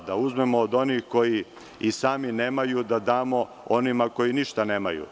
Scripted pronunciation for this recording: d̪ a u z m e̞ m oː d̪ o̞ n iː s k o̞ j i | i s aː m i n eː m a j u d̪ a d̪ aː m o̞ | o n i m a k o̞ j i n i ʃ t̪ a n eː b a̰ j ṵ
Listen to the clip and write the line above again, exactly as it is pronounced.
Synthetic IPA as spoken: d̪ a u z m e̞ m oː d̪ o̞ n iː x k o̞ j i | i s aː m i n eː m a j u d̪ a d̪ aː m o̞ | o n i m a k o̞ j i n i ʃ t̪ a n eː m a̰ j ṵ